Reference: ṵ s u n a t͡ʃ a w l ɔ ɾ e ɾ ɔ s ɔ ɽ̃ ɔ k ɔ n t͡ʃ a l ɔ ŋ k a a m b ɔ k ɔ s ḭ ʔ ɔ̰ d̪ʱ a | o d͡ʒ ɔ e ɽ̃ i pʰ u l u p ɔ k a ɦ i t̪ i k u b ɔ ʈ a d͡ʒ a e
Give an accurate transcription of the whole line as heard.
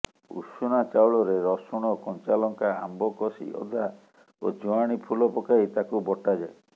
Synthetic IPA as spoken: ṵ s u n a t͡ʃ a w ɭ ɔ ɾ e ɾ ɔ s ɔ ɽ̃ ɔ k ɔ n t͡ʃ a l ɔ ŋ k a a m b ɔ k ɔ s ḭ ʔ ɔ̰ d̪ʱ a | o d͡ʒ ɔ a ɽ̃ i pʰ u l ɔ p ɔ k a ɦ i t̪ a k u b ɔ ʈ a d͡ʒ a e